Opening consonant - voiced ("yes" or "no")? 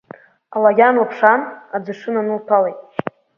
yes